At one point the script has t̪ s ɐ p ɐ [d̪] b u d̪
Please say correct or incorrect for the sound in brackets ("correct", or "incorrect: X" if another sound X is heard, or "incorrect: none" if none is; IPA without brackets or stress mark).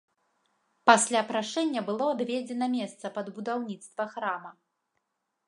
correct